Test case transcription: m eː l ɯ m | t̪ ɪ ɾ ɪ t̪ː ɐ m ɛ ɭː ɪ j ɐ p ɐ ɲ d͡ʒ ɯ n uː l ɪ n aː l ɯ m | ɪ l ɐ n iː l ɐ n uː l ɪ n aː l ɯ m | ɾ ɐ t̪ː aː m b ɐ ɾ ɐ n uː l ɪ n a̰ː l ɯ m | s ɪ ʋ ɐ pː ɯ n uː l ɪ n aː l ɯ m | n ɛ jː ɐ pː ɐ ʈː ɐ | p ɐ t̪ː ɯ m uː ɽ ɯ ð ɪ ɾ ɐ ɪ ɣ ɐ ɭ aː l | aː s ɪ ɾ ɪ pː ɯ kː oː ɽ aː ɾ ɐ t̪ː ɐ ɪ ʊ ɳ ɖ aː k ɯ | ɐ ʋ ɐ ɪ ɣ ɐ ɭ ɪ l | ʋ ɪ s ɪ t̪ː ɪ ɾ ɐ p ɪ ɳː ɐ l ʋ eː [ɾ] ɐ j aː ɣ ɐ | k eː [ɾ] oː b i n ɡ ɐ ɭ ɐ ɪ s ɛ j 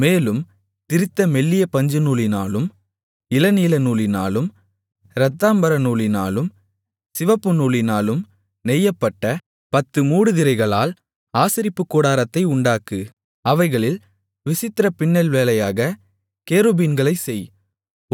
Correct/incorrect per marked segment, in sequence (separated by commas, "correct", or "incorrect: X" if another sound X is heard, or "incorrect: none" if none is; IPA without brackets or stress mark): incorrect: l, correct